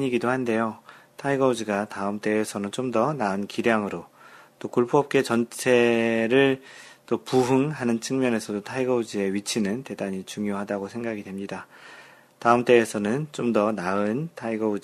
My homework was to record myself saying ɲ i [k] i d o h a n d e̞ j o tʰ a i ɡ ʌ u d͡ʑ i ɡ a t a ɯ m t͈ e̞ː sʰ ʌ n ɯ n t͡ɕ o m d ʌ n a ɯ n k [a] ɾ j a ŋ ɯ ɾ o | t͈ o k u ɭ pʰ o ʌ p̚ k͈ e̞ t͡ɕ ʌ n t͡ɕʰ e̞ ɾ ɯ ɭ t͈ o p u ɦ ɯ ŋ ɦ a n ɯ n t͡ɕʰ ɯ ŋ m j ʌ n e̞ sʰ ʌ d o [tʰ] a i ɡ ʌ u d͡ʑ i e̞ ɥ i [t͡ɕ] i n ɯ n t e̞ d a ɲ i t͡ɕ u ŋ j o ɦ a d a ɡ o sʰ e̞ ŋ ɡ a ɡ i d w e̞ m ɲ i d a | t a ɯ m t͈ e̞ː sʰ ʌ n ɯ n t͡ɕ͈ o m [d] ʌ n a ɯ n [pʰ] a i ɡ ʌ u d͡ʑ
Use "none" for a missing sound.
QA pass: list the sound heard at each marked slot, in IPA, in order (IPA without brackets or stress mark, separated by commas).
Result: ɡ, i, tʰ, t͡ɕʰ, d, tʰ